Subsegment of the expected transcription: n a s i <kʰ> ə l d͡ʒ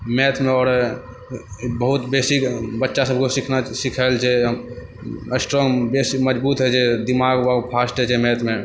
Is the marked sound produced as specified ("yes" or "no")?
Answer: yes